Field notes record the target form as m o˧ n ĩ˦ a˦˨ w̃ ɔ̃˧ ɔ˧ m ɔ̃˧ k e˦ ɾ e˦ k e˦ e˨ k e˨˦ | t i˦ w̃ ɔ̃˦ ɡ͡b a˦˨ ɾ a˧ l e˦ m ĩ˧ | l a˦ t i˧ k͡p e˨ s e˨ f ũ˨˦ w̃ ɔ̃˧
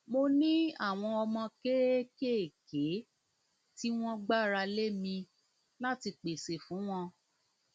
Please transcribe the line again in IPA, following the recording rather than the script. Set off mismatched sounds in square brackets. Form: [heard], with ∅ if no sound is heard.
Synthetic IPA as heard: m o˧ n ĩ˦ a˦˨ w̃ ɔ̃˧ ɔ˧ m ɔ̃˧ k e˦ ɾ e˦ k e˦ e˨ k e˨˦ | t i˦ w̃ ɔ̃˦ ɡ͡b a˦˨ ɾ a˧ l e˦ m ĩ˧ | l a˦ t i˧ k͡p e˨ s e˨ f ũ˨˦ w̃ ɔ̃˧